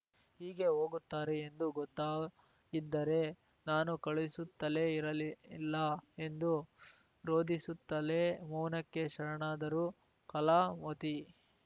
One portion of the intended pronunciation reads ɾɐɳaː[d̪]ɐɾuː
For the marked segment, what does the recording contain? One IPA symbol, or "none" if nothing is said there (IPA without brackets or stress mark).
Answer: d̪